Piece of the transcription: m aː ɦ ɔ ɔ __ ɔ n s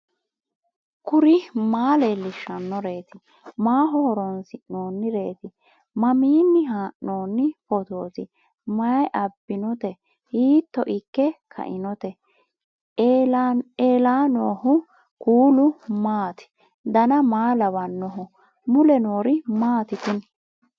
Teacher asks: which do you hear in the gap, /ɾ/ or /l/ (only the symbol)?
ɾ